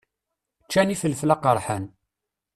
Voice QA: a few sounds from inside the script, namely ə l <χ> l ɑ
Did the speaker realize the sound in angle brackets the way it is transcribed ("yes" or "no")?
no